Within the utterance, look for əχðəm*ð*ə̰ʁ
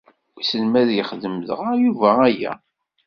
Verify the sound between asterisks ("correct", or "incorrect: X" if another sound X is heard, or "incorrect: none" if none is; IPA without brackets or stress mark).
correct